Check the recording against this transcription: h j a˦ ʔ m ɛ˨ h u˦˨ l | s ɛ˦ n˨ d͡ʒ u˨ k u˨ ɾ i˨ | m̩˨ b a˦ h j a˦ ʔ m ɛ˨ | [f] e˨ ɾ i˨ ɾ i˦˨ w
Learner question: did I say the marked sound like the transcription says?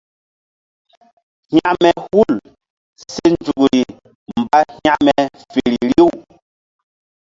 yes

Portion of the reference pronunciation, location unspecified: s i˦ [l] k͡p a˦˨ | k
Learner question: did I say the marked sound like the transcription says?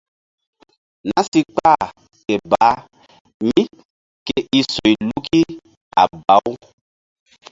no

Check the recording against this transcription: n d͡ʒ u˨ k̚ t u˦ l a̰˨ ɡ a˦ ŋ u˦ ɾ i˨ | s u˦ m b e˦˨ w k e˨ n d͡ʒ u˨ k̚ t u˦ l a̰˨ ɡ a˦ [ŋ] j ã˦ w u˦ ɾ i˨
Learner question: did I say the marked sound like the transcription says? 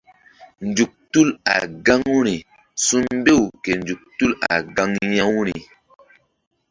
yes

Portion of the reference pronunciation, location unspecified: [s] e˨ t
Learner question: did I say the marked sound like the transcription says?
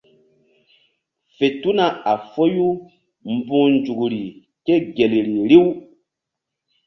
no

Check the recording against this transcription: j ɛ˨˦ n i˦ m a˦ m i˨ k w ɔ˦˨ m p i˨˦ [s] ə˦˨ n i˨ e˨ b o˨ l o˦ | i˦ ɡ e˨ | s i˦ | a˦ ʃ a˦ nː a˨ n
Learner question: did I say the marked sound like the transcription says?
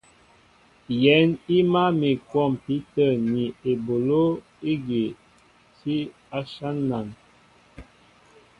no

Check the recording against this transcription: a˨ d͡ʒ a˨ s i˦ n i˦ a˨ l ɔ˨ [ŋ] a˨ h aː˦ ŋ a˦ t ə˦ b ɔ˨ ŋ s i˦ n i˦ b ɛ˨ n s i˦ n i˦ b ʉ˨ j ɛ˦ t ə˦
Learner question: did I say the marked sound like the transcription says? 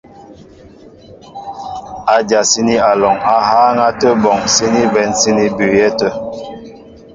yes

